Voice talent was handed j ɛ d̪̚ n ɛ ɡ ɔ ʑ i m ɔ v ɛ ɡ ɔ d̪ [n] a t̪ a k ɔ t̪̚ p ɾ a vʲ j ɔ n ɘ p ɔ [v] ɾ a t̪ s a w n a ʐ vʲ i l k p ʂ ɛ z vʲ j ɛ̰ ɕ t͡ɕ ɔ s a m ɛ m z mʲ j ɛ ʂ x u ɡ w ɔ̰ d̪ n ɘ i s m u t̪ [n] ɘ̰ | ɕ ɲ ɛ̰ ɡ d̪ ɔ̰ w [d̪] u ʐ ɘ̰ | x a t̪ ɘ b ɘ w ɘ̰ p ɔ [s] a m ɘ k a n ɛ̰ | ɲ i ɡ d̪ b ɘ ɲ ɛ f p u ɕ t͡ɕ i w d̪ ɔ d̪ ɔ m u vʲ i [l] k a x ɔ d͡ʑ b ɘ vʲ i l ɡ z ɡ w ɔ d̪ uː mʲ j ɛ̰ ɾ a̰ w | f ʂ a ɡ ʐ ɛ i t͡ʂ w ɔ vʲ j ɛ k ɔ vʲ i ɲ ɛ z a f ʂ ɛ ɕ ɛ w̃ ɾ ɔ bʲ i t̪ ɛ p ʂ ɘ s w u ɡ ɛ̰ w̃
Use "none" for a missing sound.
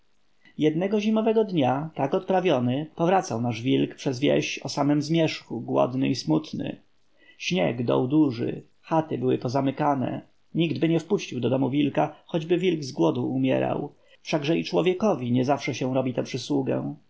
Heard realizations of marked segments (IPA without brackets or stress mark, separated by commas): ɲ, v, n, d̪, z, l